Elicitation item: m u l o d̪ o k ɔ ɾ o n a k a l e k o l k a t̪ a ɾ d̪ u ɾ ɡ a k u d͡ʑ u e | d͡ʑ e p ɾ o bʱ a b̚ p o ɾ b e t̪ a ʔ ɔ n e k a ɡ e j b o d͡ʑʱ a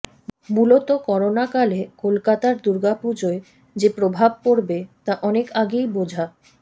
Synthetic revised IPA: m u l o t̪ o k ɔ ɾ o n a k a l e k o l k a t̪ a ɾ d̪ u ɾ ɡ a p u d͡ʑ o e | d͡ʑ e p ɾ o bʱ a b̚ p o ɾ b e t̪ a ʔ ɔ n e k a ɡ e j b o d͡ʑʱ a